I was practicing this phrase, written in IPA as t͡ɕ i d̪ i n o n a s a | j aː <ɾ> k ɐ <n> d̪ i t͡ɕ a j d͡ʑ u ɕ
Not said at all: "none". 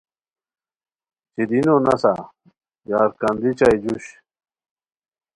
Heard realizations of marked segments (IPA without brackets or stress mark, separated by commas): ɾ, n